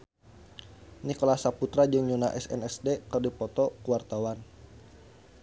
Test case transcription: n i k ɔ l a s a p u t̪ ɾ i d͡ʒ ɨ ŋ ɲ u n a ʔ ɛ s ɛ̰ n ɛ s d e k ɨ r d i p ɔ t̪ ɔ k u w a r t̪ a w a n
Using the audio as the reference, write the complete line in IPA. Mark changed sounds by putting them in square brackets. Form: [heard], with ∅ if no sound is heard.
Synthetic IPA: n i k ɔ l a s a p u t̪ ɾ [a] d͡ʒ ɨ ŋ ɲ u n a ʔ ɛ s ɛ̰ n ɛ s d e k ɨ r d i p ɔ t̪ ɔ k u w a r t̪ a w a n